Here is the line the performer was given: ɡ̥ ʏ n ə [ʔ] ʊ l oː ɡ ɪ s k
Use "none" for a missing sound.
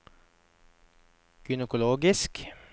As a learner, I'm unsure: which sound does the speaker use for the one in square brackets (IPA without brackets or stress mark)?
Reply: k